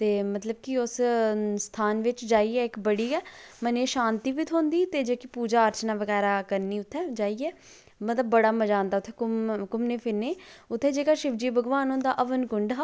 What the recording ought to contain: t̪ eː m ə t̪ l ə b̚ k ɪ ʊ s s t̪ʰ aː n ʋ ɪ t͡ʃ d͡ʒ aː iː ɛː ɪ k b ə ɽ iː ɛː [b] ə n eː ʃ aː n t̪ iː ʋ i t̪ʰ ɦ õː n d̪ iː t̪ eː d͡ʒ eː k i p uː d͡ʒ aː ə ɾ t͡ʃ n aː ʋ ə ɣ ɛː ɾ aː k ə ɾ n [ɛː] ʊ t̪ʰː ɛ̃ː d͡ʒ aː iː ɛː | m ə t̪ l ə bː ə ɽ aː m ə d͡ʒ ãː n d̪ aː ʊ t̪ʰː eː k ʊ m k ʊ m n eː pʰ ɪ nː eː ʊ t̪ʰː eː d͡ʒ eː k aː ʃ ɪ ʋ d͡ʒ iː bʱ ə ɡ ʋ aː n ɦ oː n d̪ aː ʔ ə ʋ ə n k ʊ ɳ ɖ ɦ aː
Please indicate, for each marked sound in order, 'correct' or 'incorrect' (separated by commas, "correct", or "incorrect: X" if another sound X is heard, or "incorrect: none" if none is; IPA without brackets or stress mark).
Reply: incorrect: m, incorrect: iː